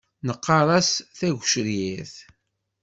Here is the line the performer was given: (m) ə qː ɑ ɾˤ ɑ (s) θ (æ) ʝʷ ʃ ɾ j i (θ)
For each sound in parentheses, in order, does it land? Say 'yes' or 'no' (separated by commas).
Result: no, yes, yes, yes